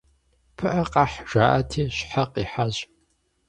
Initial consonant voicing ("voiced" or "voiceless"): voiceless